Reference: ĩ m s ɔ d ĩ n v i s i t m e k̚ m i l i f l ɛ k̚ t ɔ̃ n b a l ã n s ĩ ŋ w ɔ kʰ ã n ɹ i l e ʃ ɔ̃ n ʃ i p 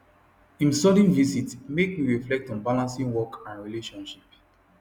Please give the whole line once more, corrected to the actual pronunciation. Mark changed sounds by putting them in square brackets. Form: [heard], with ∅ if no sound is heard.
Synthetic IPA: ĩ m s ɔ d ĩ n v i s i t m e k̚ m i [ɹ] i f l ɛ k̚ t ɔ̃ n b a l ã n s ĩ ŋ w ɔ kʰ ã n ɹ i l e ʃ ɔ̃ n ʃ i p